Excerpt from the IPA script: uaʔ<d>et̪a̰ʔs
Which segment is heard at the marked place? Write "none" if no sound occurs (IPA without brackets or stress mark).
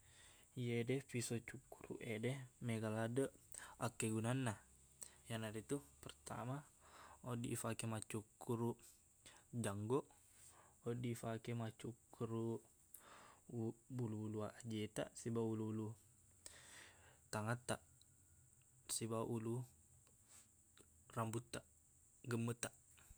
d͡ʒ